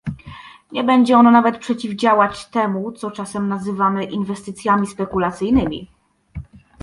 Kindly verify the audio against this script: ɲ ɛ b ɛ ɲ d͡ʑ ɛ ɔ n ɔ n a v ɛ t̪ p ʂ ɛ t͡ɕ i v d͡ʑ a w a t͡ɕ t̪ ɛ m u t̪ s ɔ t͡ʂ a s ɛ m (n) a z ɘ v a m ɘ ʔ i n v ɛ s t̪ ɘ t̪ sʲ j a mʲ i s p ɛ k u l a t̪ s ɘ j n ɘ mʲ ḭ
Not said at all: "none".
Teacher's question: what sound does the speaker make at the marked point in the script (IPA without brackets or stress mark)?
n